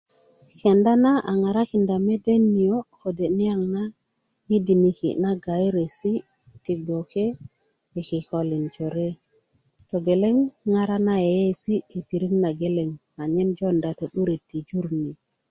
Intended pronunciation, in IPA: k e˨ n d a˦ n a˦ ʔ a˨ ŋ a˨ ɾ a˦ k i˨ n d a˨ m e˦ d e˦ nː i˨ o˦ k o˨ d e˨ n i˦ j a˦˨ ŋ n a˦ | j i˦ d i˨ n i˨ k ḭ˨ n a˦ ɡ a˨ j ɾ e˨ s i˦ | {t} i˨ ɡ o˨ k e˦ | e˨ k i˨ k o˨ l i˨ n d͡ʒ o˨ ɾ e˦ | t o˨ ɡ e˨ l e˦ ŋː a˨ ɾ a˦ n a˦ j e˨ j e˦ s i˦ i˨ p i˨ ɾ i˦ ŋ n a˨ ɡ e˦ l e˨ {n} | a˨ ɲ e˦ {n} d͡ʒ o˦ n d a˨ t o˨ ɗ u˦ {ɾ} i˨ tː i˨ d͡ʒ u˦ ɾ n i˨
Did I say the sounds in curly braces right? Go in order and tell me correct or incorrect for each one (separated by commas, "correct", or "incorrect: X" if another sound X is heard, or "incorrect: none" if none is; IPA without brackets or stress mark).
correct, incorrect: ŋ, correct, correct